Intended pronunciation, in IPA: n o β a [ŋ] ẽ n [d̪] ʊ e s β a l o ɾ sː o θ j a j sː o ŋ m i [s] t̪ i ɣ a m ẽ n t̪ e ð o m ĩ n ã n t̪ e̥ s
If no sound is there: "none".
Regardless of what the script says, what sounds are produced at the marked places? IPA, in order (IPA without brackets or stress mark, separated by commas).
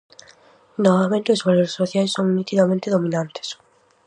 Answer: m, t̪, none